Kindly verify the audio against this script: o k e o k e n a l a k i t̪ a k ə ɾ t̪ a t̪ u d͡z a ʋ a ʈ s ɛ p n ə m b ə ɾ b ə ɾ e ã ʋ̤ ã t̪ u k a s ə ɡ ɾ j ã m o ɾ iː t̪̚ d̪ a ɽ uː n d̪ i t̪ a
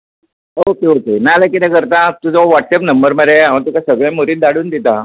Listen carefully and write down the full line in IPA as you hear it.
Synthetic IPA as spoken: o k e o k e n a l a k i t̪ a k ə ɾ t̪ a t̪ u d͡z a ʋ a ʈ s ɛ p n ə m b ə ɾ m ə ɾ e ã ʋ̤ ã t̪ u k a s ə ɡ ɭ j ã m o ɾ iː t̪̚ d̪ a ɽ uː n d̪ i t̪ a